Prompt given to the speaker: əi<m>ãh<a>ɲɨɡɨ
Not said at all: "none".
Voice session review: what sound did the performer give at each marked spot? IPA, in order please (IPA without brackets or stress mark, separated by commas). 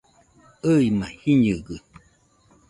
m, i